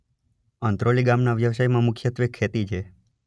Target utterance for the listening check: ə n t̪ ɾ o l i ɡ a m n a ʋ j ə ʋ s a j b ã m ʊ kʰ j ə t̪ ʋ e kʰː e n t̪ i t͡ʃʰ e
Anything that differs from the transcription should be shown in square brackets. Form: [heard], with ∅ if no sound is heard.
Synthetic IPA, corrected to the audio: ə n t̪ ɾ o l i ɡ a m n a ʋ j ə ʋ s a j [m] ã m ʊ kʰ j ə t̪ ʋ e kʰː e [∅] t̪ i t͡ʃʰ e